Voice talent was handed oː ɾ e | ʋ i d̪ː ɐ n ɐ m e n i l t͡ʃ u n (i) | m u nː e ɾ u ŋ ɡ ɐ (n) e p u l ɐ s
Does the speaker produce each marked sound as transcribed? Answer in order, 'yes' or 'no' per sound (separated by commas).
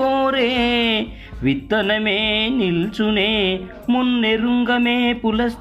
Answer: no, no